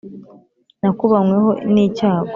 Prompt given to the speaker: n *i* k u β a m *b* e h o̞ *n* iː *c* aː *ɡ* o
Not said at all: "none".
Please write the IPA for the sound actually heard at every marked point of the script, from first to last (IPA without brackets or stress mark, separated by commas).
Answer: a, w, n, c, ɡ